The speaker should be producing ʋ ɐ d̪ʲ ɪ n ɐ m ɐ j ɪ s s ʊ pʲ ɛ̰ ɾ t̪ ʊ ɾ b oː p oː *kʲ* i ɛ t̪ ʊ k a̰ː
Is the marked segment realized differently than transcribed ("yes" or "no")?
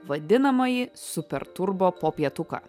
yes